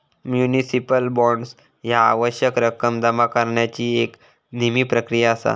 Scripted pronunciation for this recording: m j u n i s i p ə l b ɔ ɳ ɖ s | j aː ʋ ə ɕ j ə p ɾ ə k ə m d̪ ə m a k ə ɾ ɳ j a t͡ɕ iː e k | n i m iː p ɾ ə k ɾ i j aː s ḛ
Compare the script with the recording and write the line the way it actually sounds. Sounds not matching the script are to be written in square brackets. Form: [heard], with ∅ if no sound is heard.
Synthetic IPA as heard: m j u n i s i p ə l b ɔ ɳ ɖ s | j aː ʋ ə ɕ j ə [k] ɾ ə k ə m d̪ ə m a k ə ɾ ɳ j a t͡ɕ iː e k | n i m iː p ɾ ə k ɾ i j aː s [a̰]